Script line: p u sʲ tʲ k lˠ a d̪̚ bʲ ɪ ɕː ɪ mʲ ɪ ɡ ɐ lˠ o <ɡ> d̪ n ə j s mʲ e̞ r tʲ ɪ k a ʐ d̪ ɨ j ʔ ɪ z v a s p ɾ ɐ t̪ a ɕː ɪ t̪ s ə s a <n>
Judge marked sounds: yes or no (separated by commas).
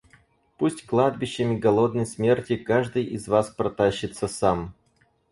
no, no